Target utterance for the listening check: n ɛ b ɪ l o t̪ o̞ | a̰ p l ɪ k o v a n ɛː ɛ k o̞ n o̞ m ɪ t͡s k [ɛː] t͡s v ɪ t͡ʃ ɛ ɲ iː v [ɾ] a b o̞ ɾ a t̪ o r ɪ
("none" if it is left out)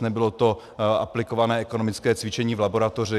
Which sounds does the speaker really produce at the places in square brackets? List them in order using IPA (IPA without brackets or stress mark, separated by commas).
ɛː, l